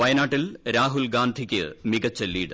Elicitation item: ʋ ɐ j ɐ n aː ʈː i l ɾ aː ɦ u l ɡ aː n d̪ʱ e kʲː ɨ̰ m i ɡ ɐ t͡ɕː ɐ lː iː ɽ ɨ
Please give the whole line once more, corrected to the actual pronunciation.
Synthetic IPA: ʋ ɐ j ɐ n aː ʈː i l ɾ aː ɦ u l ɡ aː n d̪ʱ i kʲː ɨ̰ m i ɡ ɐ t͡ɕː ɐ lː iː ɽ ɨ